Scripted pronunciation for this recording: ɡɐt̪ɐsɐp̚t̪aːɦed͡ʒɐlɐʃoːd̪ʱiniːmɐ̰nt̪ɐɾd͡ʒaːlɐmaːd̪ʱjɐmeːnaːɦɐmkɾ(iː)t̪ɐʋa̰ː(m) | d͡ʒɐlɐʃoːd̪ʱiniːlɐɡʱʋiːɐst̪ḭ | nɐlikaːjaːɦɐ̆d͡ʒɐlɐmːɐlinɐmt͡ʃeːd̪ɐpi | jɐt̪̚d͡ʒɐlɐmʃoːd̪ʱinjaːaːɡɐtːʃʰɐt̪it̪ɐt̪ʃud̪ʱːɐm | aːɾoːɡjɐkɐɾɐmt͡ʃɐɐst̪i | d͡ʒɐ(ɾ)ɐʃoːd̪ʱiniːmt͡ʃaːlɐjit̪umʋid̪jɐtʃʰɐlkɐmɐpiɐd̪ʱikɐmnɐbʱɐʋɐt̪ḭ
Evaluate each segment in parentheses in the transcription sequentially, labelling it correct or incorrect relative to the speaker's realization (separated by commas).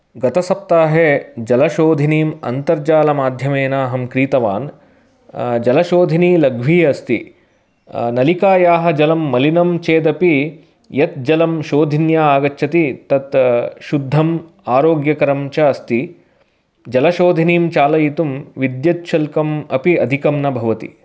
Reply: correct, incorrect, incorrect